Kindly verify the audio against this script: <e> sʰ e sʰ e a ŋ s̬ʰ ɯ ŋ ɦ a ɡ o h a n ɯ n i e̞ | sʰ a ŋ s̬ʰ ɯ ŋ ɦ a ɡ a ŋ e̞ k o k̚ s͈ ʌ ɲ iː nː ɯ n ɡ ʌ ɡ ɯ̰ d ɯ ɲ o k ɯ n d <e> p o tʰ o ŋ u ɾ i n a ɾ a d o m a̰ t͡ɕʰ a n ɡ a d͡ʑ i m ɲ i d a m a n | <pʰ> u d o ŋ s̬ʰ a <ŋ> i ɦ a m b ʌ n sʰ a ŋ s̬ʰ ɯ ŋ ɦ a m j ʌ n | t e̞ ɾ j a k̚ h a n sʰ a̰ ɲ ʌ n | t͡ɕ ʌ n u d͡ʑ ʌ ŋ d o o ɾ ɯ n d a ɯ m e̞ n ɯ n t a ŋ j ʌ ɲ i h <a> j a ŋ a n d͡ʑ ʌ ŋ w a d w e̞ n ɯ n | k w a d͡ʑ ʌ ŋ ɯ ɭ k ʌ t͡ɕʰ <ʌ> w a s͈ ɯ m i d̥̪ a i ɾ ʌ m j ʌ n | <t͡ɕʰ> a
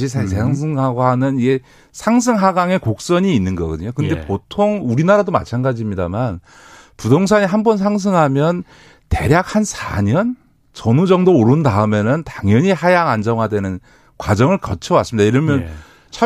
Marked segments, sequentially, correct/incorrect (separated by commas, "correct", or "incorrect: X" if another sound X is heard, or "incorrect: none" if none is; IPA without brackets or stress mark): incorrect: i, correct, incorrect: p, incorrect: ɲ, correct, correct, correct